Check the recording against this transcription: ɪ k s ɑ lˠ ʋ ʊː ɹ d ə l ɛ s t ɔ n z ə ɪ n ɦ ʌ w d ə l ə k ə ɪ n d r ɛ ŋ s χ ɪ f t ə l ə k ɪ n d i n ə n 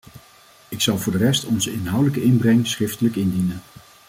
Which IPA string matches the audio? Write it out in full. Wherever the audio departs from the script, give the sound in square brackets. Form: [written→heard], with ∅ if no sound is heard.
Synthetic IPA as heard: ɪ k s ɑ lˠ [ʋ→v] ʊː ɹ d ə [l→r] ɛ s t ɔ n z ə ɪ n ɦ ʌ w d ə l ə k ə ɪ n [d→b] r ɛ ŋ s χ ɪ f t ə l ə k ɪ n d i n ə n